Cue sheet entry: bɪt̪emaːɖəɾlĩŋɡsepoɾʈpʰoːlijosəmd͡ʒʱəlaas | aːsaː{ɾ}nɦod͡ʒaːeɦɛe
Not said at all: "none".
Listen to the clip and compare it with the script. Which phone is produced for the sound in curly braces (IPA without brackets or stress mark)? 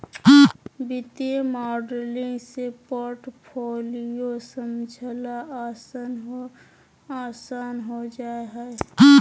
none